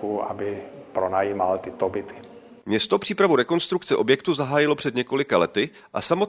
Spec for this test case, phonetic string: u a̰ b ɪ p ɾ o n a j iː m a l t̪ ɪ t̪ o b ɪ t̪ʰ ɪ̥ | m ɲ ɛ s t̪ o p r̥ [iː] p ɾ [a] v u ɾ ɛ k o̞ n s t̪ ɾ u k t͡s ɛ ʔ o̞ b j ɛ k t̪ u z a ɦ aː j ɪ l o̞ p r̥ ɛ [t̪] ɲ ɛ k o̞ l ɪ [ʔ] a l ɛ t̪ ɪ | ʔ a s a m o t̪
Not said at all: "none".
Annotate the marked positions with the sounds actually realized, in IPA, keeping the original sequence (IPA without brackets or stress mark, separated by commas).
iː, a, d̪, k